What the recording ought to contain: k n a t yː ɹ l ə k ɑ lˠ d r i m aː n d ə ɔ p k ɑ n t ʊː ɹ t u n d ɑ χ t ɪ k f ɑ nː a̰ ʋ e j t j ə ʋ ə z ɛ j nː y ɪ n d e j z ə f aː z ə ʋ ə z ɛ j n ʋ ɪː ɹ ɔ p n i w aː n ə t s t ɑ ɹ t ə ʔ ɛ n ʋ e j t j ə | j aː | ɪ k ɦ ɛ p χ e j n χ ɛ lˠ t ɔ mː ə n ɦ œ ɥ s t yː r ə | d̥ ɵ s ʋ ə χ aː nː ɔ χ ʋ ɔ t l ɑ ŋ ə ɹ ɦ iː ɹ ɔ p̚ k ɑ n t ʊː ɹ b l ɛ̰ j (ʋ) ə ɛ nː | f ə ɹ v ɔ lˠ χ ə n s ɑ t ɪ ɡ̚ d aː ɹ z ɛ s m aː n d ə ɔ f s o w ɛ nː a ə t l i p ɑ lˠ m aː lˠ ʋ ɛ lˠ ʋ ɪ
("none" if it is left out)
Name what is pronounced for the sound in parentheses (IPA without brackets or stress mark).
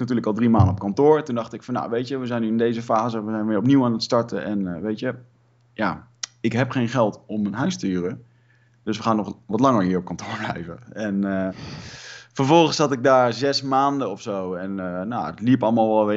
v